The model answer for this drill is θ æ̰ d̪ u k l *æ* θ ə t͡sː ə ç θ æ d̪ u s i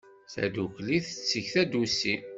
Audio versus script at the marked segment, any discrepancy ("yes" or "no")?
yes